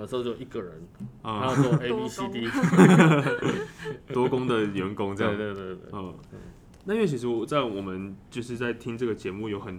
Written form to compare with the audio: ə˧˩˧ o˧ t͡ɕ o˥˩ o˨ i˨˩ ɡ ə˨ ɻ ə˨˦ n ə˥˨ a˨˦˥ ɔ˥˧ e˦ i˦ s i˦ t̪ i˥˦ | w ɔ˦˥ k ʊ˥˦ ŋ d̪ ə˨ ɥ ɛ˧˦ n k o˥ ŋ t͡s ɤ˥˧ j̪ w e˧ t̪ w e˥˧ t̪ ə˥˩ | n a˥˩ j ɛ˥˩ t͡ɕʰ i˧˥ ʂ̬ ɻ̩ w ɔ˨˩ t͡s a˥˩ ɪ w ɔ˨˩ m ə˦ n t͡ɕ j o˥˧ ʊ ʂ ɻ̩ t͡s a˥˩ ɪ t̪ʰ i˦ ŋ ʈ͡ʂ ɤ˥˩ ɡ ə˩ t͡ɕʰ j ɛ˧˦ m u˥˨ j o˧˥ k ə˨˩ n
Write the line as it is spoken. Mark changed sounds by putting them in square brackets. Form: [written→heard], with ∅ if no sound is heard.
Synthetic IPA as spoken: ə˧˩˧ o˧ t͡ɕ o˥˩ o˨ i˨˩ ɡ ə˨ ɻ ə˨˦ n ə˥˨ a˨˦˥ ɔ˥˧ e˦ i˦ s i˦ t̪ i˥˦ | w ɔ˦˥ k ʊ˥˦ ŋ d̪ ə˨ ɥ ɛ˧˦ n k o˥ ŋ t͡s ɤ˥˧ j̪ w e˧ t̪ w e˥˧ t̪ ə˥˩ | n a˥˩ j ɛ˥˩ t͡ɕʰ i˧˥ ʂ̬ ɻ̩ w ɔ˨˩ t͡s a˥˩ ɪ w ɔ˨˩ m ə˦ n t͡ɕ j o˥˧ ʊ ʂ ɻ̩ t͡s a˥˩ ɪ t̪ʰ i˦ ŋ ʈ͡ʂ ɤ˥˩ ɡ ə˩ [t͡ɕʰ→t͡ɕ] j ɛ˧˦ m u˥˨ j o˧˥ [k→x] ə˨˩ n